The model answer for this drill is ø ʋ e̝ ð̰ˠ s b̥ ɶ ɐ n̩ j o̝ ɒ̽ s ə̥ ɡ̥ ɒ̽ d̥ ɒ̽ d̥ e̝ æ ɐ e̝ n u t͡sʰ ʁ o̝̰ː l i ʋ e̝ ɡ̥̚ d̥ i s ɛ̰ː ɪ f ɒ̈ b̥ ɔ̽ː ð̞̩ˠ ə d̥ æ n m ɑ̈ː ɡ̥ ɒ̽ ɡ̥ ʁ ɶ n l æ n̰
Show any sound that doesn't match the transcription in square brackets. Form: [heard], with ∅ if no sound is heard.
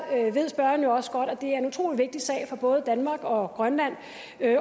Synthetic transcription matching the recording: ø ʋ e̝ ð̰ˠ s b̥ ɶ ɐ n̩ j o̝ ɒ̽ s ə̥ ɡ̥ ɒ̽ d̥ ɒ̽ d̥ e̝ æ ɐ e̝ n u t͡sʰ ʁ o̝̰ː l i ʋ e̝ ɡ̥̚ d̥ i s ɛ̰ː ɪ f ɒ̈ b̥ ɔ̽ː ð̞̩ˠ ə d̥ æ n m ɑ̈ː ɡ̥ ɒ̽ ɡ̥ ʁ ɶ n l æ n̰